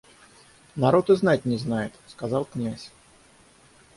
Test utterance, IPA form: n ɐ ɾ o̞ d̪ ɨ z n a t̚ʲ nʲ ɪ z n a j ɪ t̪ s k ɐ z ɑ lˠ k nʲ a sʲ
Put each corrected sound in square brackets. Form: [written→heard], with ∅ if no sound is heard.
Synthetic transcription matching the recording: n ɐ ɾ o̞ [d̪→t̪] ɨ z n a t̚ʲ nʲ ɪ z n a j ɪ t̪ s k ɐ z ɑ lˠ k nʲ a sʲ